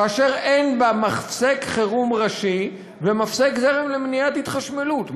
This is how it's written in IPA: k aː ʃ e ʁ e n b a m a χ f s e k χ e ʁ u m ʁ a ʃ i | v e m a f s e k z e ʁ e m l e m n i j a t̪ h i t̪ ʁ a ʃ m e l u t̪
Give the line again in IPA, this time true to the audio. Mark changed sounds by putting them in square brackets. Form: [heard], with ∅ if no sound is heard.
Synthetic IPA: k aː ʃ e ʁ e n b a m a χ f s e k χ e ʁ u m ʁ a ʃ i | v e m a f s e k z e ʁ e m l e m n i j a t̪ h i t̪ [χ] a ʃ m e l u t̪